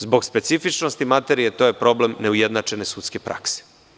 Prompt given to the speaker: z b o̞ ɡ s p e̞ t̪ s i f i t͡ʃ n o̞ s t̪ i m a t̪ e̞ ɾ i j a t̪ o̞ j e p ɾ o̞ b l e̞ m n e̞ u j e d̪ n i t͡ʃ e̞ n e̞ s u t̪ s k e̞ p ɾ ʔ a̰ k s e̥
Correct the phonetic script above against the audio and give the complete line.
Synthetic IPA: z b o̞ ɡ s p e̞ t̪ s i f i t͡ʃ n o̞ s t̪ i m a t̪ e̞ ɾ i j e t̪ o̞ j e p ɾ o̞ b l e̞ m n e̞ u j e d̪ n a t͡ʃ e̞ n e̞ s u t̪ s k e̞ p ɾ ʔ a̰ k s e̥

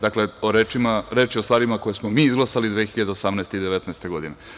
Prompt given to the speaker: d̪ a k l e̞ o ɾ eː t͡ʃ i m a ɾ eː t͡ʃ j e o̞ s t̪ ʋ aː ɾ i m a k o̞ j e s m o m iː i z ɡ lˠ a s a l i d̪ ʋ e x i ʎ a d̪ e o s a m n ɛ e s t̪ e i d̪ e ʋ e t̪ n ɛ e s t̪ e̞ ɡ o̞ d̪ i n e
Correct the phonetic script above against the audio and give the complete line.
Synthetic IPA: d̪ a k l e̞ o ɾ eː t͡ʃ i m a ɾ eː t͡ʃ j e o̞ s t̪ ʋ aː ɾ i m a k o̞ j e s m o m iː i z ɡ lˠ a s a l i d̪ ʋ e x i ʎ a d̪ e o s a m n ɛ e s t̪ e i d̪ e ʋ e t̪ n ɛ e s t̪ e̞ ɡ o̞ d̪ i n e

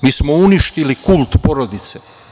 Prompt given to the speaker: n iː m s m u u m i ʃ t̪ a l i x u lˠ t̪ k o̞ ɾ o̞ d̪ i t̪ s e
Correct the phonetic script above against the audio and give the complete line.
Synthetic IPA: m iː s m o u n i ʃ t̪ i l i k u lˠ t̪ p o̞ ɾ o̞ d̪ i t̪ s e

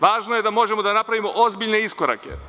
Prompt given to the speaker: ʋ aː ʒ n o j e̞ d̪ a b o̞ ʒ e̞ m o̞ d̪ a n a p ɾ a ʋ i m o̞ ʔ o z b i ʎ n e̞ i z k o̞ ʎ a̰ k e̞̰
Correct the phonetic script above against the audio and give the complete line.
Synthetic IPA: ʋ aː ʒ n o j e̞ d̪ a m o̞ ʒ e̞ m o̞ d̪ a n a p ɾ a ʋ i m o̞ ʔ o z b i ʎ n e̞ i s k o̞ ɾ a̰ k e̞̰

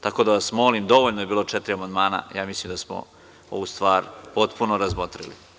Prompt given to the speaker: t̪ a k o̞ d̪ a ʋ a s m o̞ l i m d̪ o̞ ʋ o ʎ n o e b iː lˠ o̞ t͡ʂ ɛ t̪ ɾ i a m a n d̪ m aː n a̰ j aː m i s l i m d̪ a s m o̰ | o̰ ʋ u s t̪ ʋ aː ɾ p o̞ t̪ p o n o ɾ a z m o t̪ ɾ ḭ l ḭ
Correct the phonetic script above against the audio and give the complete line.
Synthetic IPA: t̪ a k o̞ d̪ a ʋ a s m o̞ l i m d̪ o̞ ʋ o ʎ n o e b iː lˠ o̞ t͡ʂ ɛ t̪ ɾ i a m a n d̪ m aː n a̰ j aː m i s l i m d̪ a s m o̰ | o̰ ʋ u s t̪ ʋ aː ɾ p o̞ t̪ p u n o ɾ a z m o t̪ ɾ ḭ l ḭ

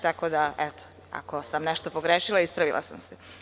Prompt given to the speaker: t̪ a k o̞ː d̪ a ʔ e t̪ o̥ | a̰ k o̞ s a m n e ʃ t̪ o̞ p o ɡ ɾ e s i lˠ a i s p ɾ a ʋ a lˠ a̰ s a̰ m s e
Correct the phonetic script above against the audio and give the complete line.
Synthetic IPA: t̪ a k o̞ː d̪ a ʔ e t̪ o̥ | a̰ k o̞ s a m n e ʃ t̪ o̞ p o ɡ ɾ e ʃ i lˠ a i s p ɾ a ʋ i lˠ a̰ s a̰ m s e

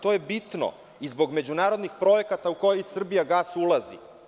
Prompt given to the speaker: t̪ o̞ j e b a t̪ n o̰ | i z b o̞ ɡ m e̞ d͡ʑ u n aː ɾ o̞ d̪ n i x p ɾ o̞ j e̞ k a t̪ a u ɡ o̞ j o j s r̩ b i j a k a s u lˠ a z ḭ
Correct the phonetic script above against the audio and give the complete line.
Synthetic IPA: t̪ o̞ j e b i t̪ n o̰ | i z b o̞ ɡ m e̞ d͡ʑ u n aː ɾ o̞ d̪ n i x p ɾ o̞ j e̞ k a t̪ a u k o̞ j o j s r̩ b i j a ɡ a s u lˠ a z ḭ

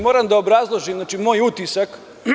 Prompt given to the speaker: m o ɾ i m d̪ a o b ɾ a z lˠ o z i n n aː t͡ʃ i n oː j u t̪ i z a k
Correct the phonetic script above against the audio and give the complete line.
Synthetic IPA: m o ɾ a m d̪ a o b ɾ a z lˠ o ʒ i m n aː t͡ʃ i m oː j u t̪ i s a k

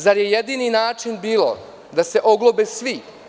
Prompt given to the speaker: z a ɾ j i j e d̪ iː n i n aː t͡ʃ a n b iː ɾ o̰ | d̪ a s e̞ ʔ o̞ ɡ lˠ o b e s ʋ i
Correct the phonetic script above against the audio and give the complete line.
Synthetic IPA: z a ɾ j e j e d̪ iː n i n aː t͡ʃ i n b iː l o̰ | d̪ a s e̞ ʔ o̞ ɡ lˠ o b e s ʋ i

